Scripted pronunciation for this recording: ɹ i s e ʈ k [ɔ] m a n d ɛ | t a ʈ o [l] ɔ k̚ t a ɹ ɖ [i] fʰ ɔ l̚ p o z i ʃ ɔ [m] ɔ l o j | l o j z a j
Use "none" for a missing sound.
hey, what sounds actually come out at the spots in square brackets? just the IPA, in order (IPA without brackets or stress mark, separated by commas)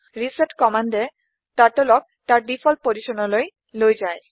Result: ɔ, l, i, n